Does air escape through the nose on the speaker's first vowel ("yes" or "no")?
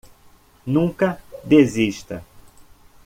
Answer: yes